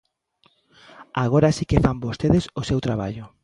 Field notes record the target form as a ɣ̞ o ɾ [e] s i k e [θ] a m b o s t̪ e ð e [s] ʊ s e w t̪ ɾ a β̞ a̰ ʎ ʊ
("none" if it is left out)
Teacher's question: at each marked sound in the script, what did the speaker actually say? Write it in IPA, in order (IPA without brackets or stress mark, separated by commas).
a, f, s